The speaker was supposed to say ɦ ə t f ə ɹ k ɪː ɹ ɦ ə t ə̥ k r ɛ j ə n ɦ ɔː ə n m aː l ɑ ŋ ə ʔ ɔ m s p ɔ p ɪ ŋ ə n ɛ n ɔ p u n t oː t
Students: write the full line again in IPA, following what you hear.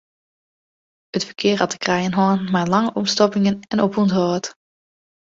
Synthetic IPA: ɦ ə t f ə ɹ k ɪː ɹ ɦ ɑ t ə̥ k r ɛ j ə n ɦ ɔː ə n m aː l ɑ ŋ ə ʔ ɔ m s t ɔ p ɪ ŋ ə n ɛ n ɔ p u n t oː t